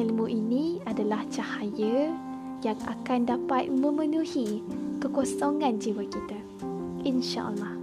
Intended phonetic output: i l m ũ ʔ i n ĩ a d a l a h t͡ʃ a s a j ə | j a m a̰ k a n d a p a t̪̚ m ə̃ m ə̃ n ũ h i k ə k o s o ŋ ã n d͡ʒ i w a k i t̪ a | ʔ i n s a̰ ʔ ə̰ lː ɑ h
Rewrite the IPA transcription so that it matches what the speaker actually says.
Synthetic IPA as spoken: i l m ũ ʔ i n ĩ a d a l a h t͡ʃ a h a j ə | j a ŋ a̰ k a n d a p a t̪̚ m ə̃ m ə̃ n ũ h i k ə k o s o ŋ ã n d͡ʒ i w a k i t̪ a | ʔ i n ʃ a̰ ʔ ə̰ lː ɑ h